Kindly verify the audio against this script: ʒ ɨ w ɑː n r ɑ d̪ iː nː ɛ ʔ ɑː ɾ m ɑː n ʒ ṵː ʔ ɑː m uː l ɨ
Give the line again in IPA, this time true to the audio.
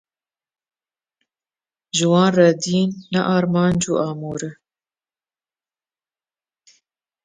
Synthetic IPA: ʒ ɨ w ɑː n r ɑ d̪ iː nː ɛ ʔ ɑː ɾ m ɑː n d͡ʒ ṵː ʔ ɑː m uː ɾ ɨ